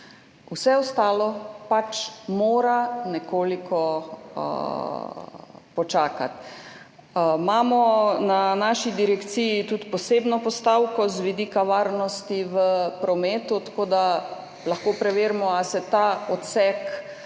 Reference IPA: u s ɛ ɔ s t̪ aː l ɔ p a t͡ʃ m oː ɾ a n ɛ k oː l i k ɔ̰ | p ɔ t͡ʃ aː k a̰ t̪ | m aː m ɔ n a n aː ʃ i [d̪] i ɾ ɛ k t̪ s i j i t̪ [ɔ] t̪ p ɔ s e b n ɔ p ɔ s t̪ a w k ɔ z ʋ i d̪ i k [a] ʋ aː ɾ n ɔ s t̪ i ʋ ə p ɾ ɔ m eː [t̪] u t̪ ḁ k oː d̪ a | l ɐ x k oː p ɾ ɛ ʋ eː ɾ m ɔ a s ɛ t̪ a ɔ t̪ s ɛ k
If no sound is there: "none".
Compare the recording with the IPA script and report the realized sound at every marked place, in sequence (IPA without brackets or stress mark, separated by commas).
d̪, u, a, t̪